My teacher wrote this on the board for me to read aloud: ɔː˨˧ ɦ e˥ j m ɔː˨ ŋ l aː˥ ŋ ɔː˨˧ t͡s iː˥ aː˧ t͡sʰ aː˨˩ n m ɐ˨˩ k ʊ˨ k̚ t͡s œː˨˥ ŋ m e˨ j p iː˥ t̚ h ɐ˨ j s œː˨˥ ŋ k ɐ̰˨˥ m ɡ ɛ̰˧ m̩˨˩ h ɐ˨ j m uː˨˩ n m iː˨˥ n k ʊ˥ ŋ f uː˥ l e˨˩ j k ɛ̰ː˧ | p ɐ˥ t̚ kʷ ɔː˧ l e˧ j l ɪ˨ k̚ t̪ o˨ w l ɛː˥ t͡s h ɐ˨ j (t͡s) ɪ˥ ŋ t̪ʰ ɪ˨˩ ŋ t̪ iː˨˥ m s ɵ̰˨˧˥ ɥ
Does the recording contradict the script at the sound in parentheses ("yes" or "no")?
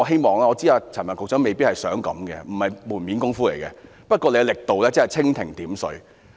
yes